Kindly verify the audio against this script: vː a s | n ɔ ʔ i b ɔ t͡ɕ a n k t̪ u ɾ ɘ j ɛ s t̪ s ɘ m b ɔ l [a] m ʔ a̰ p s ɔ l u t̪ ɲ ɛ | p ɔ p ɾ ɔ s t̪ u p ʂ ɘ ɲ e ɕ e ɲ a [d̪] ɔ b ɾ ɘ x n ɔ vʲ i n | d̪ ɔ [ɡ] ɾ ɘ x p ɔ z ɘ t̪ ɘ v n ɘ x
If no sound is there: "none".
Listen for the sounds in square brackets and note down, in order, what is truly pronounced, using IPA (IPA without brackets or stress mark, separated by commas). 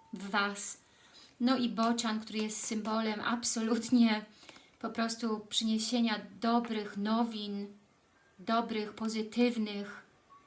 ɛ, d̪, b